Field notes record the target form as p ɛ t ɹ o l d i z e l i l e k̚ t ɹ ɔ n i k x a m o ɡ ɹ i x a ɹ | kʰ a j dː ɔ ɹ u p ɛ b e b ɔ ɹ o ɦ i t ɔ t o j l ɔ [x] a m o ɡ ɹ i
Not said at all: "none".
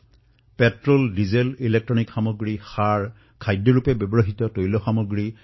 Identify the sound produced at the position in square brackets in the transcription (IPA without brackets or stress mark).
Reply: x